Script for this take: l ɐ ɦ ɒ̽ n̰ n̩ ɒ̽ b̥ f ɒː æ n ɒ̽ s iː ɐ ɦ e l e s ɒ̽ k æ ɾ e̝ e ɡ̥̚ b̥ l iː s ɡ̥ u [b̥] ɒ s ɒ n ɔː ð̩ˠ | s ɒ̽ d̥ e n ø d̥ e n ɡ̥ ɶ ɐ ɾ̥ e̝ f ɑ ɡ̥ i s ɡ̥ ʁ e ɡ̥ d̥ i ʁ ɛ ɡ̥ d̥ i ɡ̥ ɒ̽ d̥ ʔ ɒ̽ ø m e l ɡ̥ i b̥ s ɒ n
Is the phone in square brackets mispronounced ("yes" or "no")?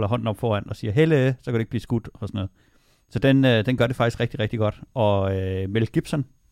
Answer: yes